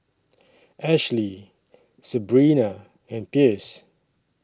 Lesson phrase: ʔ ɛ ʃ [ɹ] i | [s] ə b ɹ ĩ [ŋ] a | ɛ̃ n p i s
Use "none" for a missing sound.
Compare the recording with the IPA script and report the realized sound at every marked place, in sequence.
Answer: l, s, n

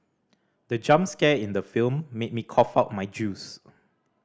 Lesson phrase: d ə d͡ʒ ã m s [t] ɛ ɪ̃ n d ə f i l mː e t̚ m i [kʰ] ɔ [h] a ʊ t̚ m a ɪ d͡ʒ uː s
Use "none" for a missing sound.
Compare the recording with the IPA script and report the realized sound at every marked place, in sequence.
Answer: k, kʰ, f

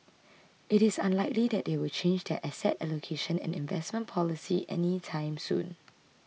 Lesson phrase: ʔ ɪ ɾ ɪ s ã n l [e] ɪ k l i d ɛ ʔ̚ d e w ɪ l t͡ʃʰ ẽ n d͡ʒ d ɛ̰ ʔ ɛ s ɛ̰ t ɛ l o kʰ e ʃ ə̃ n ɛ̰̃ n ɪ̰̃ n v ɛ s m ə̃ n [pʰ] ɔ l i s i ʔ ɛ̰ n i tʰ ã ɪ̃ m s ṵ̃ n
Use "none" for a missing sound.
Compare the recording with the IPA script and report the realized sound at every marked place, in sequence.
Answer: a, pʰ

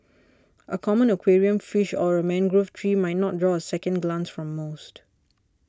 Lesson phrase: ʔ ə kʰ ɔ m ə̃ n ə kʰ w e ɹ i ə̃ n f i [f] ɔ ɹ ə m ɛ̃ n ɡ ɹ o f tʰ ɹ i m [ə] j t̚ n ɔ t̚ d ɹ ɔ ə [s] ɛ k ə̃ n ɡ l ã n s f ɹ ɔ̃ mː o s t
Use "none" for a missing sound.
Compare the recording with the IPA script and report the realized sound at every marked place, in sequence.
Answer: ʃ, a, s

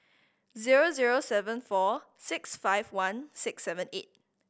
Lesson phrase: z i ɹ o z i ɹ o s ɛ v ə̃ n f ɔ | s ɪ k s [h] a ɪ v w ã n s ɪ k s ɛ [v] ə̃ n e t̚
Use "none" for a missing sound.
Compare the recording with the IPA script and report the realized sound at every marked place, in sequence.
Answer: f, v

